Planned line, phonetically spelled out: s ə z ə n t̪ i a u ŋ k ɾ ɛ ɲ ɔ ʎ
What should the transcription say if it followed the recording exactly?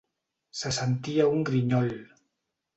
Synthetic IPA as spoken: s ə s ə n t̪ i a u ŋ ɡ ɾ i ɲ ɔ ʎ